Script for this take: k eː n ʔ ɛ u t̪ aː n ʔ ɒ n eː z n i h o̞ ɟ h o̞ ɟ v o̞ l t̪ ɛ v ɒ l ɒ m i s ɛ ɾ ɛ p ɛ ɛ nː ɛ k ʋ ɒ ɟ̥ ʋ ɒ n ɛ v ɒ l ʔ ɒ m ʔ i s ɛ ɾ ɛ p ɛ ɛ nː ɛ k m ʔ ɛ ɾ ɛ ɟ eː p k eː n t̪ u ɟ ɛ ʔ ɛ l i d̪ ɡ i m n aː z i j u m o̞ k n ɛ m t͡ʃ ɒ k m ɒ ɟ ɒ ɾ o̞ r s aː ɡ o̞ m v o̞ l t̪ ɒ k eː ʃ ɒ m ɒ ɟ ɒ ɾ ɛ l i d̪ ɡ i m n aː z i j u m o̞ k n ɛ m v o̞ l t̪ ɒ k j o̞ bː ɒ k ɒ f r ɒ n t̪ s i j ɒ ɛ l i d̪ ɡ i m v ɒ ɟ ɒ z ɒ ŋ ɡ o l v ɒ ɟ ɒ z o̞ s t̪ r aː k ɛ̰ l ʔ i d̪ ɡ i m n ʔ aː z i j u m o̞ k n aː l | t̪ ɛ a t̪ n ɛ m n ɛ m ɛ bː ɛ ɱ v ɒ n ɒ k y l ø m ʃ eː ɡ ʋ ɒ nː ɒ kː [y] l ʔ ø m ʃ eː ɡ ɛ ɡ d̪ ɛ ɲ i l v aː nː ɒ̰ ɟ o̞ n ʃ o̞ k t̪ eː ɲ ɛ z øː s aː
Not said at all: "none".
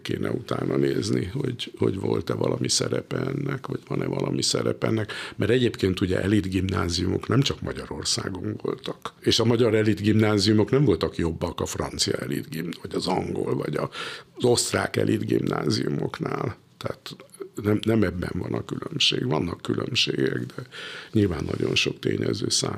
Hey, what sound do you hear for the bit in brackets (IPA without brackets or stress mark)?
y